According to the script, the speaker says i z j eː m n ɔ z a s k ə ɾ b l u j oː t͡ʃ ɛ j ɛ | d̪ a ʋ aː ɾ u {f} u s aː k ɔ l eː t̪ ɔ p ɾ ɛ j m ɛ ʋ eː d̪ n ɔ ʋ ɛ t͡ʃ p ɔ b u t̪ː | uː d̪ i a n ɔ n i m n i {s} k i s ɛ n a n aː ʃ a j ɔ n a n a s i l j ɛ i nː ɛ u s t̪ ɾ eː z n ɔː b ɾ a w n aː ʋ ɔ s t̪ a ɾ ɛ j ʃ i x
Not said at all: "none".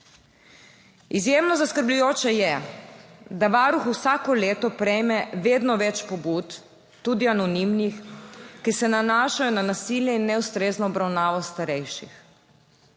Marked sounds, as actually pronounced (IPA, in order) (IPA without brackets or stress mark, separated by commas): x, x